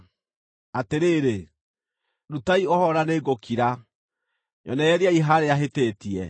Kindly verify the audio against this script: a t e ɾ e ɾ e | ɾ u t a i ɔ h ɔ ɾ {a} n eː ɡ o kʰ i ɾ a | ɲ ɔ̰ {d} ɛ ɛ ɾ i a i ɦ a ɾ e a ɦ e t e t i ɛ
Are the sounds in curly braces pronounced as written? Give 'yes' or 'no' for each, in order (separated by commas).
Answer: yes, no